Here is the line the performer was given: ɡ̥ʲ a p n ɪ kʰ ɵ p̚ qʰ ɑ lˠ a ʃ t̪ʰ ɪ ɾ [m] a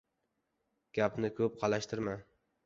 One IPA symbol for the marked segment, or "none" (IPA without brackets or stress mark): m